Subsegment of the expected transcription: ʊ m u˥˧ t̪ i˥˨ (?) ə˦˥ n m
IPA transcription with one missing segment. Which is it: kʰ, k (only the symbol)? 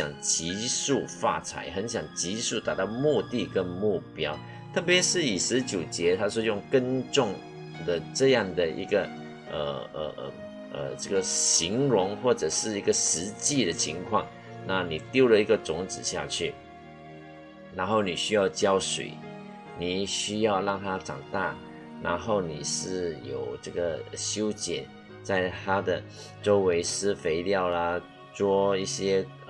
k